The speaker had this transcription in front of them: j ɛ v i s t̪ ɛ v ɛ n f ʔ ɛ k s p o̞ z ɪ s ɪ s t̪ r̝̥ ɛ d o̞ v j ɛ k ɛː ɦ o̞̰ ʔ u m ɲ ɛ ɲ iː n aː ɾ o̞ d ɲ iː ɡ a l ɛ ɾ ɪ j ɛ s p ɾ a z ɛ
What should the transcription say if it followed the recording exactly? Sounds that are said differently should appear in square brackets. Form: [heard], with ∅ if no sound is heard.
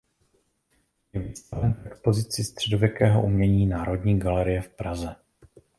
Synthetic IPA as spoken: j ɛ v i s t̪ [a] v ɛ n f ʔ ɛ k s p o̞ z ɪ [t͡s] ɪ s t̪ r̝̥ ɛ d o̞ v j ɛ k ɛː ɦ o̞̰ ʔ u m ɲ ɛ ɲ iː n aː ɾ o̞ d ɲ iː ɡ a l ɛ ɾ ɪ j ɛ [f] p ɾ a z ɛ